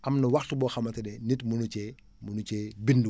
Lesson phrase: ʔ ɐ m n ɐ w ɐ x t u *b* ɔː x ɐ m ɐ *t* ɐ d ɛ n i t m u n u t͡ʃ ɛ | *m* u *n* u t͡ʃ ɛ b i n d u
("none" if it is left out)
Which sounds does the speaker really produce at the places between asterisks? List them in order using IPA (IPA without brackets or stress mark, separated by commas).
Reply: b, t, m, n